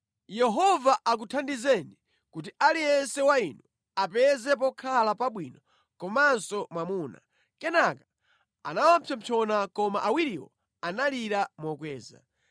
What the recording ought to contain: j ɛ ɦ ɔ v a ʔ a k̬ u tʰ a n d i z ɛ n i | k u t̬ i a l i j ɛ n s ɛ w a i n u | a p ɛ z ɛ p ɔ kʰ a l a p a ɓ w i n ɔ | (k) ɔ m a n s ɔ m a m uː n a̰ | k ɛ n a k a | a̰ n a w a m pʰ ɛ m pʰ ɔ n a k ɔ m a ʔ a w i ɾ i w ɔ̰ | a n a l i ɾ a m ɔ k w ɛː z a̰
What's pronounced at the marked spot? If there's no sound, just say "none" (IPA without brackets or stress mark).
k